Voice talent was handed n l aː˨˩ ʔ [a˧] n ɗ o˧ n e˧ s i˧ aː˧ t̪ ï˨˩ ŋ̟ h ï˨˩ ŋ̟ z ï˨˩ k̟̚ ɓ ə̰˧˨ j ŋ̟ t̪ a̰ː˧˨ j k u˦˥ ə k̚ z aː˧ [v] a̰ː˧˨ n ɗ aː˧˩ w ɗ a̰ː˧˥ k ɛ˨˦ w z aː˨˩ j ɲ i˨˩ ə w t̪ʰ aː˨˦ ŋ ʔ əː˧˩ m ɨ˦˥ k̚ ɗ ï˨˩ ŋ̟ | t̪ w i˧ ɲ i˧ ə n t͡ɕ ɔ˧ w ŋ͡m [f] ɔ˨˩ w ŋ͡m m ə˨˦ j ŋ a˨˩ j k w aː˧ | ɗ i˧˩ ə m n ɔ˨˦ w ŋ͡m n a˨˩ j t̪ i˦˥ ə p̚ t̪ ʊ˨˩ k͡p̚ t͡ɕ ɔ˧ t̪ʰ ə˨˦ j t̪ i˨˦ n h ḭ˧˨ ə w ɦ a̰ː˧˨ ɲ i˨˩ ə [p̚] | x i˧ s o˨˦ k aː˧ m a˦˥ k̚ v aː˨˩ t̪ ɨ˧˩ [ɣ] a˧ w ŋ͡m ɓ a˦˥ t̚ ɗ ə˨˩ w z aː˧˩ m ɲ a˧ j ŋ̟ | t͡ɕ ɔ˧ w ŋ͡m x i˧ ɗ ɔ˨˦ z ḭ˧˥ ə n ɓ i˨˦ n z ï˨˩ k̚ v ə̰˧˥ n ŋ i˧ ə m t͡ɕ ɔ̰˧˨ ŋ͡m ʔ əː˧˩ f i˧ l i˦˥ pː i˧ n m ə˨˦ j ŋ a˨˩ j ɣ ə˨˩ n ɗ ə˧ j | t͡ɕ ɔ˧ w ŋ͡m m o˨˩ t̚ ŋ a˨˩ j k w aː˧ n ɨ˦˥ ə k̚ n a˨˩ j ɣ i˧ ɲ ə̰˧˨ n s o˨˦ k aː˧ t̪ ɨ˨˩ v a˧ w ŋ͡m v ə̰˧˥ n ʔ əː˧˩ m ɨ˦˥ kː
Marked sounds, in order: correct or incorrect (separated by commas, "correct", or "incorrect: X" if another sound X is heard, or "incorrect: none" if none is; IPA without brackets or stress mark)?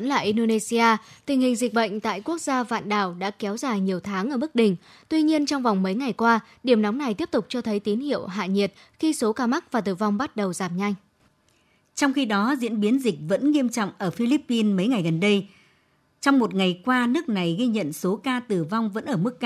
incorrect: i˧, correct, incorrect: v, incorrect: t̚, incorrect: v